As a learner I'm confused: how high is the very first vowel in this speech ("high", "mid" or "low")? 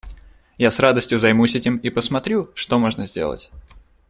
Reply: low